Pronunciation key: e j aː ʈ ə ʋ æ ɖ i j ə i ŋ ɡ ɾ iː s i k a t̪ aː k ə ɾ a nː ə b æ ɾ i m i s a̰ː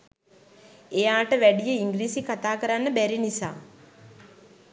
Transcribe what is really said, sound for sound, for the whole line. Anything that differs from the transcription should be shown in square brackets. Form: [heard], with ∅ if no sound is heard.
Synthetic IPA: e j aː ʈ ə ʋ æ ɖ i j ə i ŋ ɡ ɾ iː s i k a t̪ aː k ə ɾ a nː ə b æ ɾ i [n] i s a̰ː